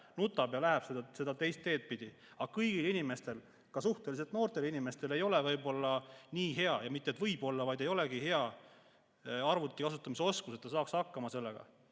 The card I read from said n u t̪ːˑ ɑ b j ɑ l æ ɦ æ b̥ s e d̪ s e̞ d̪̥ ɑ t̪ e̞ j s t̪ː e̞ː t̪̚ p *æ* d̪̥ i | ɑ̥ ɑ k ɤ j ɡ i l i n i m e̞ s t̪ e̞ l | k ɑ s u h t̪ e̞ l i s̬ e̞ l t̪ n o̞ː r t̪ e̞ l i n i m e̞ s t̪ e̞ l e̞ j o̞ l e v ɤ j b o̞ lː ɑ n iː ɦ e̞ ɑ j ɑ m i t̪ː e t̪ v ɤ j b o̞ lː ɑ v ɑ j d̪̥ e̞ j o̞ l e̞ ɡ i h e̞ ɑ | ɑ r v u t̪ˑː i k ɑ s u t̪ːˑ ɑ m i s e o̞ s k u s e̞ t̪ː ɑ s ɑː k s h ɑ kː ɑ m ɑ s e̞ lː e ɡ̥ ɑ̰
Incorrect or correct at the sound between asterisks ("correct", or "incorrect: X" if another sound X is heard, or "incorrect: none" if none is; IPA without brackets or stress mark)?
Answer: incorrect: i